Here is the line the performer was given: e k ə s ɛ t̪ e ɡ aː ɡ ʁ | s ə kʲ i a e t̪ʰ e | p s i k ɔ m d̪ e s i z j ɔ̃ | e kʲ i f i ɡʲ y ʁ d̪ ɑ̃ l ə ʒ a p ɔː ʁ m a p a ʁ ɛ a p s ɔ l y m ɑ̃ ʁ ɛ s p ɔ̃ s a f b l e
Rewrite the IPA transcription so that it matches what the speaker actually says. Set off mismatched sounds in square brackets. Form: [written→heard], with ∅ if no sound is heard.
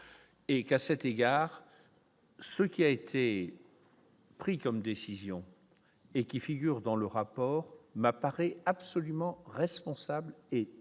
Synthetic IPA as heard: e k [ə→a] s ɛ t̪ e ɡ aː [ɡ→∅] ʁ | s ə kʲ i a e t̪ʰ e | p [s→χ] i k ɔ m d̪ e s i z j ɔ̃ | e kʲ i f i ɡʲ y ʁ d̪ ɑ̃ l ə [ʒ→ʁ] a p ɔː ʁ m a p a ʁ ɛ a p s ɔ l y m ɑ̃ ʁ ɛ s p ɔ̃ s a [f→∅] b l e

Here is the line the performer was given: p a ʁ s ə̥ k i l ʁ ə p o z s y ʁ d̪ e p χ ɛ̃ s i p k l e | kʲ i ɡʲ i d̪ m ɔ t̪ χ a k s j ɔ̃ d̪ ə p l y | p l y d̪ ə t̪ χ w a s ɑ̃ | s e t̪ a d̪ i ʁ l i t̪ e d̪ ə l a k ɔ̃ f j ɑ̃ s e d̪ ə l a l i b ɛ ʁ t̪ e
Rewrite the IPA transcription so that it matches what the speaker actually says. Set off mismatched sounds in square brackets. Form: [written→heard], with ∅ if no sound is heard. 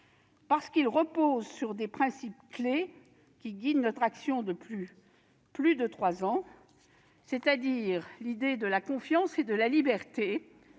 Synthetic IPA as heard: p a ʁ s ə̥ k i l ʁ ə p o z s y ʁ d̪ e p χ ɛ̃ s i p k l e | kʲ i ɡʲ i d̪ [m→n] ɔ t̪ χ a k s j ɔ̃ d̪ ə p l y | p l y d̪ ə t̪ χ w a [s→z] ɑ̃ | s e t̪ a d̪ i ʁ l i [t̪→d̪] e d̪ ə l a k ɔ̃ f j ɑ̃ s e d̪ ə l a l i b ɛ ʁ t̪ e

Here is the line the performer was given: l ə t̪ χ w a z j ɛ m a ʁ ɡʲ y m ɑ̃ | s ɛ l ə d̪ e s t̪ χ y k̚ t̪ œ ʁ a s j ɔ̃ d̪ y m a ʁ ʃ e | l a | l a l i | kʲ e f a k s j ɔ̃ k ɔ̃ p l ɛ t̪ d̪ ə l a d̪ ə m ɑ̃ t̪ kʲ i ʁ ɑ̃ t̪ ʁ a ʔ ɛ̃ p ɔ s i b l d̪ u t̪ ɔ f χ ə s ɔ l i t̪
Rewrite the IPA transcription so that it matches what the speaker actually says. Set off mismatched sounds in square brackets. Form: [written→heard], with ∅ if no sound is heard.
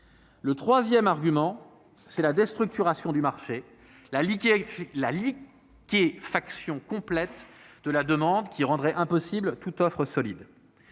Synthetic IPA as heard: l ə t̪ χ w a z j ɛ m a ʁ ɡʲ y m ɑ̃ | s ɛ l [ə→a] d̪ e s t̪ χ y k̚ t̪ [œ→y] ʁ a s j ɔ̃ d̪ y m a ʁ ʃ e | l a | l a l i | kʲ e f a k s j ɔ̃ k ɔ̃ p l ɛ t̪ d̪ ə l a d̪ ə m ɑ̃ [t̪→d̪] kʲ i ʁ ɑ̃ [t̪→d̪] ʁ [a→ɛ] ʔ ɛ̃ p ɔ s i b l [d̪→t̪] u t̪ ɔ f χ ə s ɔ l i [t̪→d̪]

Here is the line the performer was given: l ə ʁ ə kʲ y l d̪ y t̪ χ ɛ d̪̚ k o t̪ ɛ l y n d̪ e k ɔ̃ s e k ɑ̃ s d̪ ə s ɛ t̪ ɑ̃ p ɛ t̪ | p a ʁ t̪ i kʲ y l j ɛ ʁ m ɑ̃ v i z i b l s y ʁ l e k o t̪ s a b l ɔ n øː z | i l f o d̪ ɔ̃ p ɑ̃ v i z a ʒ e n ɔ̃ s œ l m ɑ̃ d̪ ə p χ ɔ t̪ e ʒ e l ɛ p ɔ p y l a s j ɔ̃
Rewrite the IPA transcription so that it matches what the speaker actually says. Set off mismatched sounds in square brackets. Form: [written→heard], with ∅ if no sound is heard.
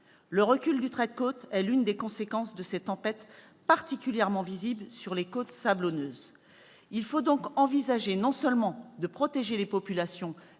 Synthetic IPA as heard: l ə ʁ ə kʲ y l d̪ y t̪ χ ɛ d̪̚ k o t̪ ɛ l y n d̪ e k ɔ̃ s e k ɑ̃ s d̪ ə s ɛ t̪ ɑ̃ p ɛ t̪ | p a ʁ t̪ i kʲ y l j ɛ ʁ m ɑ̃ v i z i b l s y ʁ l e k o t̪ s a b l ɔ n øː z | i l f o d̪ ɔ̃ [p→k] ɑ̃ v i z a ʒ e n ɔ̃ s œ l m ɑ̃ d̪ ə p χ ɔ t̪ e ʒ e l [ɛ→e] p ɔ p y l a s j ɔ̃

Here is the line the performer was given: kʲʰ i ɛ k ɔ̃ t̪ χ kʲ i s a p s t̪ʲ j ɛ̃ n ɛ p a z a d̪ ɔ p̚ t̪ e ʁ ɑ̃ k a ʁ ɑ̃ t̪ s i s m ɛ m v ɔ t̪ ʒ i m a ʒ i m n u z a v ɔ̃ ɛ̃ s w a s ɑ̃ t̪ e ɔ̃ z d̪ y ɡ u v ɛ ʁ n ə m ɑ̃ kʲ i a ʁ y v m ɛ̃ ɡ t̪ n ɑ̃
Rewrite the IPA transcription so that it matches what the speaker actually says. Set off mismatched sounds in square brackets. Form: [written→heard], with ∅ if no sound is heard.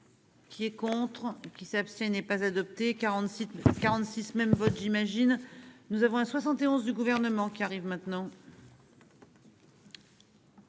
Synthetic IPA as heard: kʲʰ i ɛ k ɔ̃ t̪ χ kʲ i s a p s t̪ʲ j ɛ̃ n ɛ p a z a d̪ ɔ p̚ t̪ e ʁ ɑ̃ k a ʁ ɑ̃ t̪ s i s m ɛ m v ɔ t̪ ʒ i m a ʒ i [m→n] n u z a v ɔ̃ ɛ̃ s w a s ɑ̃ t̪ e ɔ̃ z d̪ y ɡ u v ɛ ʁ n ə m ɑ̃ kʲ i a ʁ [y→i] v m ɛ̃ [ɡ→∅] t̪ n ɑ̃

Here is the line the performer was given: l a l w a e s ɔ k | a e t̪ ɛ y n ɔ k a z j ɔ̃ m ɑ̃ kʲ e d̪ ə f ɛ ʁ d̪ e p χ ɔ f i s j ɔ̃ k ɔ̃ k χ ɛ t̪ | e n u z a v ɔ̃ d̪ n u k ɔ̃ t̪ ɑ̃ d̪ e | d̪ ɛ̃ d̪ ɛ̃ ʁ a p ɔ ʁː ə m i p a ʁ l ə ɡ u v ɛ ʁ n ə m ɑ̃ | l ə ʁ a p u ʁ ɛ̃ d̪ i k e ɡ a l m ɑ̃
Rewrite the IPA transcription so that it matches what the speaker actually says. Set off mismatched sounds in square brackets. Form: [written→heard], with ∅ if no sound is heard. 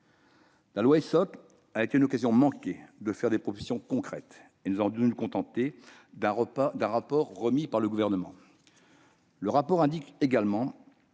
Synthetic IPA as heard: l a l w a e s ɔ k | a e t̪ [ɛ→e] y n ɔ k a z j ɔ̃ m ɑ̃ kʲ e d̪ ə f ɛ ʁ d̪ e p χ ɔ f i s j ɔ̃ k ɔ̃ k χ ɛ t̪ | e n u z a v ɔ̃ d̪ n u k ɔ̃ t̪ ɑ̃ [d̪→t̪] e | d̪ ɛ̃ d̪ ɛ̃ ʁ a p ɔ ʁː ə m i p a ʁ l ə ɡ u v ɛ ʁ n ə m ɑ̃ | l ə ʁ a p [u→ɔ] ʁ ɛ̃ d̪ i k e ɡ a l m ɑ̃

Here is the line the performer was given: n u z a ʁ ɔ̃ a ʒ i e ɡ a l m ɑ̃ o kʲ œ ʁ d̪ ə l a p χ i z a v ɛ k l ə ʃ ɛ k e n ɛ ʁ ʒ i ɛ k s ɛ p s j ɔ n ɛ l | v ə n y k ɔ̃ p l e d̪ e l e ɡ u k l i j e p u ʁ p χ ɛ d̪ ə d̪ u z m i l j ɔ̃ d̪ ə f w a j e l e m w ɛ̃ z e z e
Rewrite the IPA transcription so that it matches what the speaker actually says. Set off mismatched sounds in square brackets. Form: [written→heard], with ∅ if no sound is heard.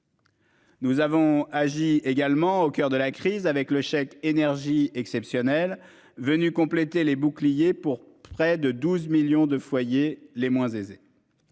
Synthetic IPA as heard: n u z a [ʁ→v] ɔ̃ a ʒ i e ɡ a l m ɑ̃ o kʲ œ ʁ d̪ ə l a [p→k] χ i z a v ɛ k l ə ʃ ɛ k e n ɛ ʁ ʒ i ɛ k s ɛ p s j ɔ n ɛ l | v ə n y k ɔ̃ p l e [d̪→t̪] e l e [ɡ→b] u k l i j e p u ʁ p χ ɛ d̪ ə d̪ u z m i l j ɔ̃ d̪ ə f w a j e l e m w ɛ̃ z e z e

